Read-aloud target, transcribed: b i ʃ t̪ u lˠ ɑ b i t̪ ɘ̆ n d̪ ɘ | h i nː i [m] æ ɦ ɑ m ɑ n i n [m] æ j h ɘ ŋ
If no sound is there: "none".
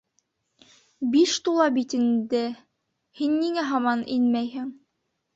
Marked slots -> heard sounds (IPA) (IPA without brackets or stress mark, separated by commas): ŋ, m